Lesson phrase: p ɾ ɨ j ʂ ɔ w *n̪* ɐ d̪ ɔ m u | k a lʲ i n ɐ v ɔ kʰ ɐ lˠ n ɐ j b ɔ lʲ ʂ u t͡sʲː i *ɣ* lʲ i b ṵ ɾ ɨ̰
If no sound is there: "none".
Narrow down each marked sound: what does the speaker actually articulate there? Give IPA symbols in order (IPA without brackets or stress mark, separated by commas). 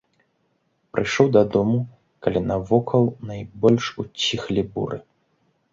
d̪, x